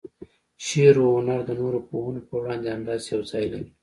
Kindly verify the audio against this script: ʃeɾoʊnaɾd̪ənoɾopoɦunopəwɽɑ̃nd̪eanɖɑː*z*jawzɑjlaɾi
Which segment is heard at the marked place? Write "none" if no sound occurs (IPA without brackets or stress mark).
z